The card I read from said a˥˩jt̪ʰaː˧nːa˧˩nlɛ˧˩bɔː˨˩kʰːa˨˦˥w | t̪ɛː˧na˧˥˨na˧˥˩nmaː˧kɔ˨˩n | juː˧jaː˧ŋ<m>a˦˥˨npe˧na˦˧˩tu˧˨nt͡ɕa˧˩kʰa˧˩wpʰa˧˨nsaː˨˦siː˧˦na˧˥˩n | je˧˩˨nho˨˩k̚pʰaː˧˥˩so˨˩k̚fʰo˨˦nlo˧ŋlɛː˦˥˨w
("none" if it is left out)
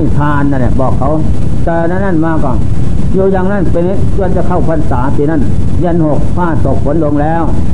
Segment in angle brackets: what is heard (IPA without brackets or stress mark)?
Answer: n